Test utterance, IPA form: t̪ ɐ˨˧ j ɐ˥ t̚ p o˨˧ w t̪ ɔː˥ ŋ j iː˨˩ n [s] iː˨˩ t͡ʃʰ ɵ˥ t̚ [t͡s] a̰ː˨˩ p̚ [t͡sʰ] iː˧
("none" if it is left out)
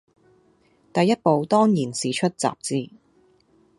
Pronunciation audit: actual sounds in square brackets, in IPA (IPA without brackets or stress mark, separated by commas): s, t͡s, t͡s